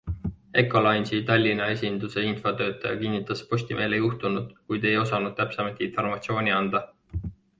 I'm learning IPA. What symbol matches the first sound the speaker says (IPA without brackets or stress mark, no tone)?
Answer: e̞